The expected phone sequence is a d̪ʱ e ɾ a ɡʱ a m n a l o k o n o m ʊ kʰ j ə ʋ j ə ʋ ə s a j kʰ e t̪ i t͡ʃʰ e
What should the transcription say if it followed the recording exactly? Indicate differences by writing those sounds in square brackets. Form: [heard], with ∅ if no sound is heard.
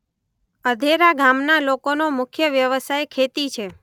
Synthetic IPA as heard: [ə] d̪ʱ e ɾ a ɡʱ a m n a l o k o n o m ʊ kʰ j ə ʋ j ə ʋ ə s a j kʰ e t̪ i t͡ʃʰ e